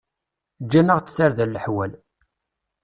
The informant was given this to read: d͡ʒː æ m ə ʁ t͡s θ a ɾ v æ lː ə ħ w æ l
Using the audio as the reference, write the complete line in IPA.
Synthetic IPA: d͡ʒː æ n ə ʁ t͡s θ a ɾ ð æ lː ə ħ w æ l